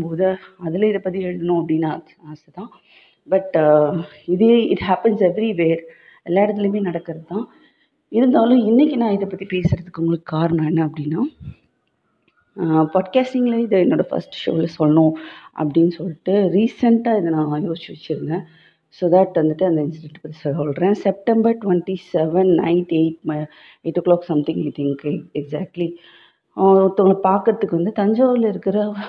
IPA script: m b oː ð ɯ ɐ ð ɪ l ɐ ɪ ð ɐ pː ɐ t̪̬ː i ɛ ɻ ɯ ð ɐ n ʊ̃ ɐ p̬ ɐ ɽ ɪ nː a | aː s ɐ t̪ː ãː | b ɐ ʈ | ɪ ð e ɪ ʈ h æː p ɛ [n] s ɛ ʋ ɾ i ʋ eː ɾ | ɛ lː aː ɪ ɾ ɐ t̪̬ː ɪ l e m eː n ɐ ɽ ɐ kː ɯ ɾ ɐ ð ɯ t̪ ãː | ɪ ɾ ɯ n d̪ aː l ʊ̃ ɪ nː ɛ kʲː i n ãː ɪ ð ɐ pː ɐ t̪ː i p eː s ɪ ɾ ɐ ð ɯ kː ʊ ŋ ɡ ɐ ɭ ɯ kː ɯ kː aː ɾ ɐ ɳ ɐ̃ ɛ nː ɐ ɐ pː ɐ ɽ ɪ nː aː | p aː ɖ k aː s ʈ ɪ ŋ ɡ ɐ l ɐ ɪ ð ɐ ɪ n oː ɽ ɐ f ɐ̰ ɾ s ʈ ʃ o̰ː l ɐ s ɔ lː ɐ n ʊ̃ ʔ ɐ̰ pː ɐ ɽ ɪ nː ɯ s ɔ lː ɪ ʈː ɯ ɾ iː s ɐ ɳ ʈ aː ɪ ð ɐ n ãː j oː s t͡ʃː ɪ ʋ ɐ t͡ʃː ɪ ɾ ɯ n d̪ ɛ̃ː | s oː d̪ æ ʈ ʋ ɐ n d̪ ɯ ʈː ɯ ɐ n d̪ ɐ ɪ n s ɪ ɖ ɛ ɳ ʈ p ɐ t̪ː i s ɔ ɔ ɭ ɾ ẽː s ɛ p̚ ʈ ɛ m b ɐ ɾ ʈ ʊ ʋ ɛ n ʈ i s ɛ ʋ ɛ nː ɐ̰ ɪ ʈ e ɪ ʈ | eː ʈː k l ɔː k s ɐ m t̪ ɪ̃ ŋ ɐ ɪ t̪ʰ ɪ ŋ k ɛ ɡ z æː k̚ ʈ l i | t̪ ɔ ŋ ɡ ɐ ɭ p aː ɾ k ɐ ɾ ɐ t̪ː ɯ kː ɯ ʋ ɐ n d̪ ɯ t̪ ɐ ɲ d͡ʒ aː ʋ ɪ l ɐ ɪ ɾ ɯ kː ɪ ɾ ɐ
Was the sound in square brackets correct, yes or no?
yes